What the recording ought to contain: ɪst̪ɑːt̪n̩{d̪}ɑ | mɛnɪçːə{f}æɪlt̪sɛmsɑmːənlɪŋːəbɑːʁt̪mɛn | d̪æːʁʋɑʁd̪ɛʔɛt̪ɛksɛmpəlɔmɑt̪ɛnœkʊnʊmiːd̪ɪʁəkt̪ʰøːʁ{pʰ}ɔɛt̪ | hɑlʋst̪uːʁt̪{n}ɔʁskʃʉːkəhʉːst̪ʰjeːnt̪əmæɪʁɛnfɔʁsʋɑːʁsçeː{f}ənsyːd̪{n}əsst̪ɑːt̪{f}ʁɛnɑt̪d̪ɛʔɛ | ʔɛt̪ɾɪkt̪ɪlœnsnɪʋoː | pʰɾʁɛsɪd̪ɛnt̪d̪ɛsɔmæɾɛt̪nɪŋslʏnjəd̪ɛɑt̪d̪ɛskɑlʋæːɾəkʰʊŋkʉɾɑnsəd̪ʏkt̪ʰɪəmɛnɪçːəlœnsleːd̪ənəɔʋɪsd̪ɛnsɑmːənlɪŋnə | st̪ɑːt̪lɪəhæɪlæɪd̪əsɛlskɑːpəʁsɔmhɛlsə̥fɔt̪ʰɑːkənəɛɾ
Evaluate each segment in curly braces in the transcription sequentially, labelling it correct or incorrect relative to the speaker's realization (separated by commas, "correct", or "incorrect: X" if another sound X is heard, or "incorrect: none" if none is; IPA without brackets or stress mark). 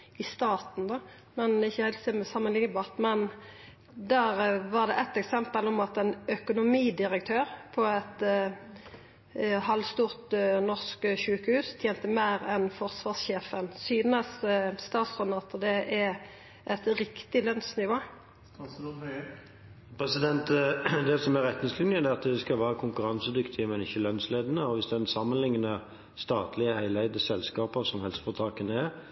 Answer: correct, incorrect: h, correct, correct, correct, correct, incorrect: s